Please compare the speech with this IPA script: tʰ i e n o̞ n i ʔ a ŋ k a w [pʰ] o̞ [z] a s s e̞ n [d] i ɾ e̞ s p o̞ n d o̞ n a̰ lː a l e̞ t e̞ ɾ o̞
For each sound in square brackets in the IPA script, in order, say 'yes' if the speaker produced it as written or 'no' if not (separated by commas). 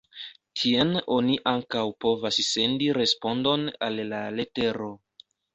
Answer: no, no, yes